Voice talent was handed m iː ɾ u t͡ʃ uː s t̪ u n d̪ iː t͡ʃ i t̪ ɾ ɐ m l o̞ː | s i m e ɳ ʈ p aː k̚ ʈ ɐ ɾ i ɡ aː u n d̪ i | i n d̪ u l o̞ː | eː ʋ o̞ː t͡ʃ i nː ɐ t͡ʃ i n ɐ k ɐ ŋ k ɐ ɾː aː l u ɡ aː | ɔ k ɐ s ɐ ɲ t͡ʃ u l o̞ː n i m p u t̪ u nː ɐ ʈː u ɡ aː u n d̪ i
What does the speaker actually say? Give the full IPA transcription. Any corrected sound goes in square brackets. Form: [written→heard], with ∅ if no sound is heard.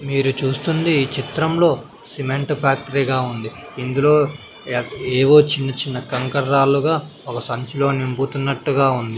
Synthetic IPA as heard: m iː ɾ u t͡ʃ uː s t̪ u n d̪ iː t͡ʃ i t̪ ɾ ɐ m l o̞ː | s i m e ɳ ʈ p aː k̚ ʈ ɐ ɾ i ɡ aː u n d̪ i | i n d̪ u l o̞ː | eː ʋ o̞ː t͡ʃ i nː ɐ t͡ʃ i [n→nː] ɐ k ɐ ŋ k ɐ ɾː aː l u ɡ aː | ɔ k ɐ s ɐ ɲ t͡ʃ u l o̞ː n i m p u t̪ u nː ɐ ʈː u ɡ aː u n d̪ i